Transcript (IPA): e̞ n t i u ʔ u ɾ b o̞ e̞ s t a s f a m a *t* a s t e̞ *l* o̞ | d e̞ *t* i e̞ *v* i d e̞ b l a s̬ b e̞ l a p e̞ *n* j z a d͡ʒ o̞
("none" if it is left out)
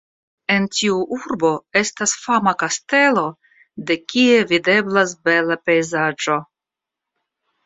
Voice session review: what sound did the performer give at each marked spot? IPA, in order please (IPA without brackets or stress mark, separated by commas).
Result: k, l, k, v, none